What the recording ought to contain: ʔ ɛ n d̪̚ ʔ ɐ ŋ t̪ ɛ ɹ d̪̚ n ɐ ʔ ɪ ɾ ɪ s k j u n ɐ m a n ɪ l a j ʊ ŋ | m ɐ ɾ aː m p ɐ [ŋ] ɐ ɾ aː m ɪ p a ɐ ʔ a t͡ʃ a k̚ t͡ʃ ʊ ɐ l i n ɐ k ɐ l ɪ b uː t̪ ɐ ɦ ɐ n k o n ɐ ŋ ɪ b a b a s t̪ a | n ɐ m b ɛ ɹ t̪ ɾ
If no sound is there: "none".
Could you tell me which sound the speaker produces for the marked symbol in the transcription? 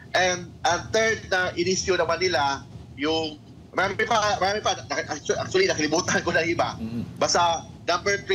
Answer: m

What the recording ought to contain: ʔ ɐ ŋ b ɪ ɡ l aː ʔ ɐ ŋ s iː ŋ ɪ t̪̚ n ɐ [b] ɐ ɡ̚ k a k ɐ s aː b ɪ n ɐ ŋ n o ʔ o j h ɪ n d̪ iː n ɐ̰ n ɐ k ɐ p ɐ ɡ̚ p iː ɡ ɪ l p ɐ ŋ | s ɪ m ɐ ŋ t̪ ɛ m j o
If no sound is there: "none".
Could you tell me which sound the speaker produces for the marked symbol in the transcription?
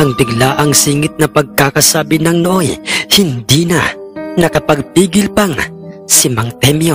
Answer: p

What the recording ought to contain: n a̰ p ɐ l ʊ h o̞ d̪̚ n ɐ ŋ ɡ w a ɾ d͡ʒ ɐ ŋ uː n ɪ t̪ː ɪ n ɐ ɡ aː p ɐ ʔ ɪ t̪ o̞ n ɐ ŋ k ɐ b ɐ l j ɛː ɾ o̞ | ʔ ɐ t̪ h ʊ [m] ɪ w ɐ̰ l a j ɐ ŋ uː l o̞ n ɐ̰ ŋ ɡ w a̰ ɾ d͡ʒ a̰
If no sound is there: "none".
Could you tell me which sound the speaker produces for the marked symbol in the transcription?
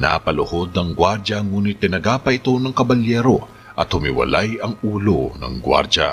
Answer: m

